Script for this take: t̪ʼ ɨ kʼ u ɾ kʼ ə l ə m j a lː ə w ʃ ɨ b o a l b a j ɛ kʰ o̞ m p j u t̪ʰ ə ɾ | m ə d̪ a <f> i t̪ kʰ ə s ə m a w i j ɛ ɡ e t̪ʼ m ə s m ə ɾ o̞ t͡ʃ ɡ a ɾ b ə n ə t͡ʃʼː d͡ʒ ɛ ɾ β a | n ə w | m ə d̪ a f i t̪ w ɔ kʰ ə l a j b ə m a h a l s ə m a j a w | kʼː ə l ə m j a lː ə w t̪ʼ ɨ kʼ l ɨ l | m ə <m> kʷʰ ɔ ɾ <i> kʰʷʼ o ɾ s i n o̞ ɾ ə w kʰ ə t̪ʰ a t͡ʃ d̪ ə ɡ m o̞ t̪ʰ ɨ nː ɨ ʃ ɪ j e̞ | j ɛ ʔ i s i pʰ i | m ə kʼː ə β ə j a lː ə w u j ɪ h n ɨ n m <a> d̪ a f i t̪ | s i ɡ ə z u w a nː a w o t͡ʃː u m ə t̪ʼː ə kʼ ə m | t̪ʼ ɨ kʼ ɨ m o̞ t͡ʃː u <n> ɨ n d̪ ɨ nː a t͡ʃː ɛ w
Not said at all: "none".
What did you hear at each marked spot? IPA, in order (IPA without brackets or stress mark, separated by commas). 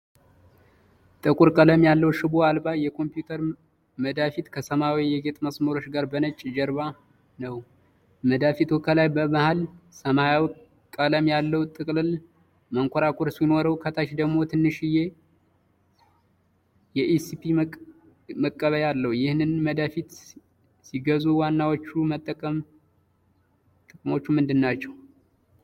f, ŋ, a, ə, m